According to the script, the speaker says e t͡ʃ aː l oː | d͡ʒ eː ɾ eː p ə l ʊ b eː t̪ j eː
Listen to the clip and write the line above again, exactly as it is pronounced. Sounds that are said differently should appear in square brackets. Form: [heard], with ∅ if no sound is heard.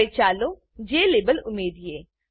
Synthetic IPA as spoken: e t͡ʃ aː l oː | d͡ʒ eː [l] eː [b] ə l ʊ [m] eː [d̪] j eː

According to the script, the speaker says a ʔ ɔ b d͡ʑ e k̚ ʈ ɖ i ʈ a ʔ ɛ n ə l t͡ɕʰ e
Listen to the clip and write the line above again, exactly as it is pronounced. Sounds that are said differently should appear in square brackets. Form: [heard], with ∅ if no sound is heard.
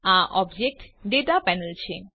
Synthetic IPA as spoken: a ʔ ɔ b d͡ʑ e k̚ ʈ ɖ [e] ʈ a [p] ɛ n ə l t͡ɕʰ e

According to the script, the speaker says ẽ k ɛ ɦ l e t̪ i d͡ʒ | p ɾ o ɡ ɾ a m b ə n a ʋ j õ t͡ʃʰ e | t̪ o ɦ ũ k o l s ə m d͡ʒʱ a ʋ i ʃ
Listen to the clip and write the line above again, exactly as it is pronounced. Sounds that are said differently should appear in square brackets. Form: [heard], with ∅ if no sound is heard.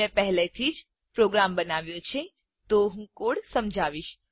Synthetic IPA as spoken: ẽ [p] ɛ ɦ l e [t̪ʰ] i d͡ʒ | p ɾ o ɡ ɾ a m b ə n a ʋ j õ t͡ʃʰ e | t̪ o ɦ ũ k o [ɽ] s ə m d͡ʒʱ a ʋ i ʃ

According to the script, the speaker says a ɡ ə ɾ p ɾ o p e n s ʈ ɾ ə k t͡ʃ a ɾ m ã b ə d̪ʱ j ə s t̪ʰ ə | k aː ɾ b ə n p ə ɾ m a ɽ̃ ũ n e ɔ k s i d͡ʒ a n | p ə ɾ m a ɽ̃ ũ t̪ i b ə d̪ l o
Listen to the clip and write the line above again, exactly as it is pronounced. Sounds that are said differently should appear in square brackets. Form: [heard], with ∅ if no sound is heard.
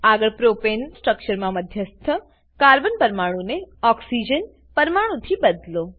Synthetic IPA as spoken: a ɡ ə [ɭ] p ɾ o p e n s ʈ ɾ ə k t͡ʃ [ə] ɾ m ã [m] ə d̪ʱ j ə s t̪ʰ ə | k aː ɾ b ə n p ə ɾ m a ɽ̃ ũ n e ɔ k s i d͡ʒ [ə] n | p ə ɾ m a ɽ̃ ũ [t̪ʰ] i b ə d̪ l o

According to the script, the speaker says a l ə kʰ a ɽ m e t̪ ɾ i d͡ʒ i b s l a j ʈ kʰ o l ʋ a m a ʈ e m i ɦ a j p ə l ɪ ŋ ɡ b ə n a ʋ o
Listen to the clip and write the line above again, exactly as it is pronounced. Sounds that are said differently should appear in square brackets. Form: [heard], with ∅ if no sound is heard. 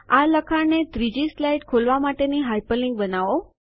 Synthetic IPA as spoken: a l ə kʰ a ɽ [n] e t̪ ɾ i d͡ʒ i [∅] s l a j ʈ kʰ o l ʋ a m a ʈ e [n] i ɦ a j p ə l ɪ ŋ ɡ b ə n a ʋ o

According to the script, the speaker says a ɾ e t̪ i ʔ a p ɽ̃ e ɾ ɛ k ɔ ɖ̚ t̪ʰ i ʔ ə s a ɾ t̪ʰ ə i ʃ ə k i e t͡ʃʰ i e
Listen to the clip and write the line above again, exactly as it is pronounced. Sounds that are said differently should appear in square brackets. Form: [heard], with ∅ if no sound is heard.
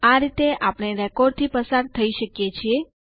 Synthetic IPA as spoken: a ɾ [i] t̪ [e] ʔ a p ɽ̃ e ɾ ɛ k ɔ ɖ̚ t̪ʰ i [p] ə s a ɾ t̪ʰ ə i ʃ ə k [j] e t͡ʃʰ i e

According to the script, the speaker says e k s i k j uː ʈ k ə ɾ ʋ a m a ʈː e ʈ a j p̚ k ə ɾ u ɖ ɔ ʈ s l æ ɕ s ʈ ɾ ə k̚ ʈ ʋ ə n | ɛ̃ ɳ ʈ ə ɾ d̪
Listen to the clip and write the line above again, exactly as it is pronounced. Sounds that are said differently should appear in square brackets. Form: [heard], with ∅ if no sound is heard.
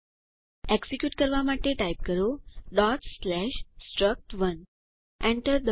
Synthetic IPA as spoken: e k s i k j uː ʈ k ə ɾ ʋ a m a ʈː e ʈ a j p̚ k ə ɾ [o] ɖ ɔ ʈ s l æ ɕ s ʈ ɾ ə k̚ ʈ ʋ ə n | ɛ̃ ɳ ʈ ə ɾ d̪

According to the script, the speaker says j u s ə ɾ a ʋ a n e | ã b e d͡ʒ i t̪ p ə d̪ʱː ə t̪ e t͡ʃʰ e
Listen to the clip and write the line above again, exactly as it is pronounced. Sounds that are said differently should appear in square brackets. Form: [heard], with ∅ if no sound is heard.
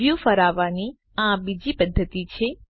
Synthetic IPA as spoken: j u [f] ə ɾ a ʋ a n [i] | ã b [i] d͡ʒ i [∅] p ə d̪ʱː ə t̪ [i] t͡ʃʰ e

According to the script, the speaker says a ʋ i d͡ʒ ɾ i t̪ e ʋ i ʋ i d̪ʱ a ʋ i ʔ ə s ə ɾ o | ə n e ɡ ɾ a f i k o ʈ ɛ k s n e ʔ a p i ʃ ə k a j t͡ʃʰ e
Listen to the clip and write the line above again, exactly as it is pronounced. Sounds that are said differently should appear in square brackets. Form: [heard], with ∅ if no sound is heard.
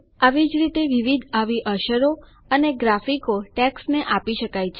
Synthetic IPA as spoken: a ʋ i d͡ʒ ɾ i t̪ e ʋ i ʋ i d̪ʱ a ʋ i ʔ ə [ʃ] ə ɾ o | ə n e ɡ ɾ a f i k o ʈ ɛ k s n e ʔ a p i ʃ ə k a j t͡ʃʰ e

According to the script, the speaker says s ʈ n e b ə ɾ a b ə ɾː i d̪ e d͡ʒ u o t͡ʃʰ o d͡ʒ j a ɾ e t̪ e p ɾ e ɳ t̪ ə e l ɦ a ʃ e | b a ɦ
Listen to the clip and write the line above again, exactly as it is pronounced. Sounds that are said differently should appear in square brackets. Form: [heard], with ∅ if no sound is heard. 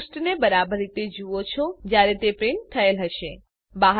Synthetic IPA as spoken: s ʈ n e b ə ɾ a b ə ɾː i [t̪] e d͡ʒ u o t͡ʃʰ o d͡ʒ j a ɾ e t̪ e p ɾ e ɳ [t̪ʰ] ə e l ɦ [ə] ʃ e | b a ɦ

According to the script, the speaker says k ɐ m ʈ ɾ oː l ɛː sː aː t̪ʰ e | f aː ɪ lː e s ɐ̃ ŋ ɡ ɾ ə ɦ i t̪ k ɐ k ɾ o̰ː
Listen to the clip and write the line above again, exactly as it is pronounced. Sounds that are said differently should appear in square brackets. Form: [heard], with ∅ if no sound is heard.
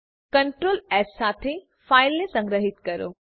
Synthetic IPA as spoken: k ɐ [ɳ] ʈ ɾ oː l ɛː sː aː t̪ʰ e | f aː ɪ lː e s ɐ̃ ŋ ɡ ɾ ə ɦ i t̪ k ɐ [∅] ɾ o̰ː

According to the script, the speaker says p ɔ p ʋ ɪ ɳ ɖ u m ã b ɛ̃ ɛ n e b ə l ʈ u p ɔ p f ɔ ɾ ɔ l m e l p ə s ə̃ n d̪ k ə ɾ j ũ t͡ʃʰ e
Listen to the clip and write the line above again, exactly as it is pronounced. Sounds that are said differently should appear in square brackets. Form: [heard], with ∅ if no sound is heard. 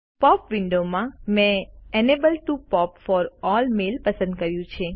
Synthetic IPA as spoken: p ɔ p ʋ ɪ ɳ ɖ [o] m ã [m] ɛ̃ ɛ n e b ə l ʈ u p ɔ p f ɔ ɾ ɔ l m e l p ə s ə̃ n d̪ k ə ɾ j ũ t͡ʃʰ e

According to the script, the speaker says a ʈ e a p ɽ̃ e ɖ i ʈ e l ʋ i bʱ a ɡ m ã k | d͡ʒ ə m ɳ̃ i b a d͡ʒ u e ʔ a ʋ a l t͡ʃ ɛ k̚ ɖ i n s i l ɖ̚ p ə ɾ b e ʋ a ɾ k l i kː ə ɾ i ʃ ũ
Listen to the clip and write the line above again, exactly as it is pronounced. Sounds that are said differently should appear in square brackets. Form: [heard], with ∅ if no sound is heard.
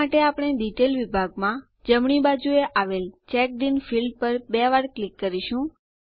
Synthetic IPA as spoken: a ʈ e a p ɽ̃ e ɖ i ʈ e l ʋ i bʱ a ɡ m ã [∅] | d͡ʒ ə m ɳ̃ i b a d͡ʒ u e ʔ a ʋ [e] l t͡ʃ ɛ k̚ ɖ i n [f] i l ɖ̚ p ə ɾ b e ʋ a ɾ k l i kː ə ɾ i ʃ ũ

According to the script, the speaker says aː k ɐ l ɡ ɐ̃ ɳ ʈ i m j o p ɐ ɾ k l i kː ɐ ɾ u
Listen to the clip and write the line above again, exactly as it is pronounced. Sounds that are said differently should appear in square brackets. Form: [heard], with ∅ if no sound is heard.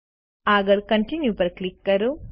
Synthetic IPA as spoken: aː [ɡ] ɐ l [k] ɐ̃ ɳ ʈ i [n] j [u] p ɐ ɾ k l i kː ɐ ɾ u

